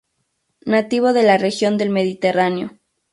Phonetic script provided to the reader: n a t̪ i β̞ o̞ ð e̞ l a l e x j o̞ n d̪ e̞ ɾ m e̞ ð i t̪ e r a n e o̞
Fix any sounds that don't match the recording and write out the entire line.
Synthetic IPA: n a t̪ i β̞ o̞ ð e̞ l a r e x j o̞ n d̪ e̞ l m e̞ ð i t̪ e r a n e o̞